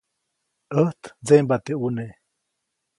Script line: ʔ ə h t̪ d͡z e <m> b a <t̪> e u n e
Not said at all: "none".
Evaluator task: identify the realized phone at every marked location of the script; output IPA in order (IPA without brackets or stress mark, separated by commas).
m, t̪